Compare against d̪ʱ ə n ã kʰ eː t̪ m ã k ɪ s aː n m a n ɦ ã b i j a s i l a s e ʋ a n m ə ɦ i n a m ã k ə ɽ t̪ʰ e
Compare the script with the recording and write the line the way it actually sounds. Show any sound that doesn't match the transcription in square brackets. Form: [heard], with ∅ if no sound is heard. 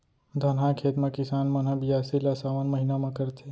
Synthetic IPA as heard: d̪ʱ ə n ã kʰ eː t̪ m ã k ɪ s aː n m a n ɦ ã b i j a s i l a s [a] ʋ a n m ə ɦ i n a m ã k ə [ɾ] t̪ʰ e